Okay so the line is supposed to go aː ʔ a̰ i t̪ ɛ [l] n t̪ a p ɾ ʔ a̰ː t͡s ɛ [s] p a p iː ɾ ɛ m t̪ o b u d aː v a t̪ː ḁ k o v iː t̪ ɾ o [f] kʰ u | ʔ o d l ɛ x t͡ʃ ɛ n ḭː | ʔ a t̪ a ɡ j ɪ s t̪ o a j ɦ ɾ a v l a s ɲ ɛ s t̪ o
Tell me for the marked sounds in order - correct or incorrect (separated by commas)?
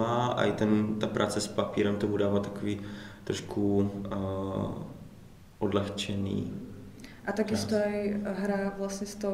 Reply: incorrect, correct, incorrect